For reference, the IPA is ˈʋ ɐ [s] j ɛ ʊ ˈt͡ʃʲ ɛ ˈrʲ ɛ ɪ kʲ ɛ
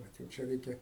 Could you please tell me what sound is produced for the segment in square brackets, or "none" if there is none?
t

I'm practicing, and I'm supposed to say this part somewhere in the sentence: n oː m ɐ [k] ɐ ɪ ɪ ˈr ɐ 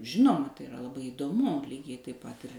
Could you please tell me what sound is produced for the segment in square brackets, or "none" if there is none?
t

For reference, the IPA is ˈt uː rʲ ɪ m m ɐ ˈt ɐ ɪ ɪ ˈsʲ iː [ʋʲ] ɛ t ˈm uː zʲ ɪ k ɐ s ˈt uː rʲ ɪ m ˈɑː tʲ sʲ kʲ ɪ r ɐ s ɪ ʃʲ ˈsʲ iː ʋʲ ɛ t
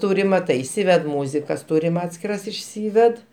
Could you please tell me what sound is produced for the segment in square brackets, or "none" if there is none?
ʋʲ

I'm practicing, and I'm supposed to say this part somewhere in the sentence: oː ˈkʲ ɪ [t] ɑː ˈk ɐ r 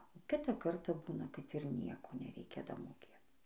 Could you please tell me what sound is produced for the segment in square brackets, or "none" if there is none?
t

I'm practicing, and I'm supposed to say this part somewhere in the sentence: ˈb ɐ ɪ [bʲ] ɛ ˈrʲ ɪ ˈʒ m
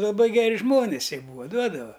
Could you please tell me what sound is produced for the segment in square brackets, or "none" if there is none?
ɡʲ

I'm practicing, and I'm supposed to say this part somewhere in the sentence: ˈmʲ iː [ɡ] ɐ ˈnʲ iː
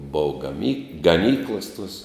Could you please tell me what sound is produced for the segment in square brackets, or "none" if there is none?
ɡ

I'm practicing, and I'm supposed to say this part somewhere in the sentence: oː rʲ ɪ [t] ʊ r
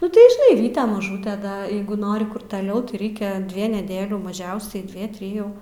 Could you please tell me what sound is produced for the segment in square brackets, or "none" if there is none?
k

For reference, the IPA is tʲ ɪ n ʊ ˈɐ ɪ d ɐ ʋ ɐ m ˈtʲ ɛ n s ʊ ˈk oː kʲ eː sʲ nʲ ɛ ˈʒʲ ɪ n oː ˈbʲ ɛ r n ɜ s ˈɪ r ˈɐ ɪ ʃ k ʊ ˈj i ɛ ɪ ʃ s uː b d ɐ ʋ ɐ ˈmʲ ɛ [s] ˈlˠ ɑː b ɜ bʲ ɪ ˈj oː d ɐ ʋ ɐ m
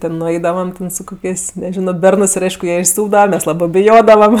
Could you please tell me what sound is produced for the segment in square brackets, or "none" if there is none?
s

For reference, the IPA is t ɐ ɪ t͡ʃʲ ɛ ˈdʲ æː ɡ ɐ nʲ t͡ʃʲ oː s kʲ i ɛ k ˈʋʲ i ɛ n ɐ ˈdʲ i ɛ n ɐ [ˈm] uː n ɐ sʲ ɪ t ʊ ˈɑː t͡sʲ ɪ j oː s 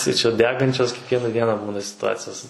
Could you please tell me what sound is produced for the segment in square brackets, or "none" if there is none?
b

